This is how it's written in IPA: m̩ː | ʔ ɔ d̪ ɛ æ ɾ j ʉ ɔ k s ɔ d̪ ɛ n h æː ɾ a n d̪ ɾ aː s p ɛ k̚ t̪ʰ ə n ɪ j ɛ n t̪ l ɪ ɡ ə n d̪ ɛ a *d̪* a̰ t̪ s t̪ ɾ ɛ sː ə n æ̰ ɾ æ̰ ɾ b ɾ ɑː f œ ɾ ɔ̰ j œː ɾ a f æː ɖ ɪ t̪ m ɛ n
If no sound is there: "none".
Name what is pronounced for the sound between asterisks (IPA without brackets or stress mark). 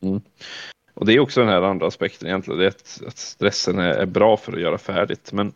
t̪